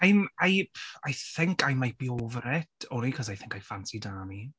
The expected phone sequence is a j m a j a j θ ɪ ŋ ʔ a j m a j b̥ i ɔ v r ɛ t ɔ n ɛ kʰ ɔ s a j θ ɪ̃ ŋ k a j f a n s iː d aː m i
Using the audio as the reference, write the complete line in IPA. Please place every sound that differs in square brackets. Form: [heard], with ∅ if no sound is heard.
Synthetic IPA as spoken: a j m a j a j θ ɪ ŋ [k] a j m a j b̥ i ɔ v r ɛ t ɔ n [i] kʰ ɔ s a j θ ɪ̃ ŋ k a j f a n s [i] d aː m i